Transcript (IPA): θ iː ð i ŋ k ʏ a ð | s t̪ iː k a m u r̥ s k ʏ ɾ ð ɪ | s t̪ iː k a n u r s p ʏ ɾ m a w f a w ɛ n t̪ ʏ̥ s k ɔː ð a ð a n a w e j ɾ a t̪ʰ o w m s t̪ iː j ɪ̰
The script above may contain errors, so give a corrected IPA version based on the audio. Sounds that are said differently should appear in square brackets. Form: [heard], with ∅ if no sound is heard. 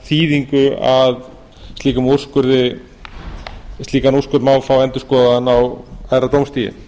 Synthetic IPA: θ iː ð i ŋ k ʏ a ð | s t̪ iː k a m u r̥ s k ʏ ɾ ð ɪ | s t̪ iː k a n u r s [k] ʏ ɾ m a w f a w ɛ n t̪ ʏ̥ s k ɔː ð a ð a n a w [a] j ɾ a [t̪] o w m s t̪ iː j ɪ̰